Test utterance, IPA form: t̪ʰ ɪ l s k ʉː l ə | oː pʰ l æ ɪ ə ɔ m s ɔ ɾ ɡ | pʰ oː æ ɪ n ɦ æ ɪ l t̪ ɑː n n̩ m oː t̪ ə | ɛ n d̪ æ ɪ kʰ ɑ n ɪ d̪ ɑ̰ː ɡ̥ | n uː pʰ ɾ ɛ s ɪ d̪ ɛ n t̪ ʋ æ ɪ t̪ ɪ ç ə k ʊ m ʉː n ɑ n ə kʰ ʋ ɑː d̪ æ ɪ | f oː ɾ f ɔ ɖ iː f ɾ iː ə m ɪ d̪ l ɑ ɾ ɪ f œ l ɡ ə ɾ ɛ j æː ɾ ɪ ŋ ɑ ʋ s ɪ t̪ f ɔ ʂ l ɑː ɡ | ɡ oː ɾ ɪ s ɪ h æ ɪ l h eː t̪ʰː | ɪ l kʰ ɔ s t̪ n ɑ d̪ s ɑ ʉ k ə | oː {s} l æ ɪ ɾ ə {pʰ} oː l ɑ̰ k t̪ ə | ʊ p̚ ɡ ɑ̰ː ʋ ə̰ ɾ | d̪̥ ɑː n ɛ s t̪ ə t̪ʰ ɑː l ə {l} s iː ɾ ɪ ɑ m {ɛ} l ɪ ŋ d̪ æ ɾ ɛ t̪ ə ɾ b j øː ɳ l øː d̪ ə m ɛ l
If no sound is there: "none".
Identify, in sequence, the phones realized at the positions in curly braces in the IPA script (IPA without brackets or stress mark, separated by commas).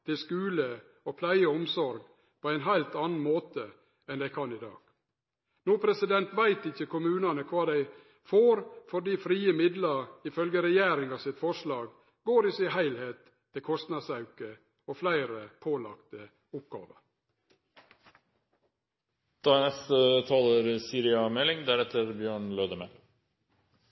f, pʰ, ɾ, ɛ